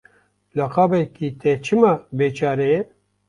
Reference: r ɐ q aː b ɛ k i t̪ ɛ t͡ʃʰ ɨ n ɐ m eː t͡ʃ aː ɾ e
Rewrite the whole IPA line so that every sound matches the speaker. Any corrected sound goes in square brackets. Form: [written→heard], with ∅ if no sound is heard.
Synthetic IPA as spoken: [r→l] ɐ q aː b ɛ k i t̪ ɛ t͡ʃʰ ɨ [n→m] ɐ [m→b] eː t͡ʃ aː ɾ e

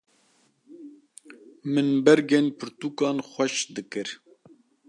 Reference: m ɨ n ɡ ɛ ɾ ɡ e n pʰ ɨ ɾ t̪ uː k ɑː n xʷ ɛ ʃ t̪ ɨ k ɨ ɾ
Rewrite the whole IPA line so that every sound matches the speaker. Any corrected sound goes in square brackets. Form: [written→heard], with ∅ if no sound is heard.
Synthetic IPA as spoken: m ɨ n [ɡ→b] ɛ ɾ ɡ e n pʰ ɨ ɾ t̪ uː k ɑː n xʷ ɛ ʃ [t̪→d̪] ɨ k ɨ ɾ

